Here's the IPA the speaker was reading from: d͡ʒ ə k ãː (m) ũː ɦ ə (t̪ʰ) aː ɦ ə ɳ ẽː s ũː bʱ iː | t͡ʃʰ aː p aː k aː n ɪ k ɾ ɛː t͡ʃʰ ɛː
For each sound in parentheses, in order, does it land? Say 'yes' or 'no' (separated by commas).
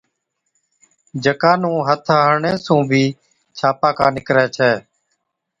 no, yes